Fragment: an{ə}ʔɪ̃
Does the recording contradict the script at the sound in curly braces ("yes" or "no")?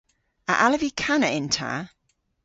no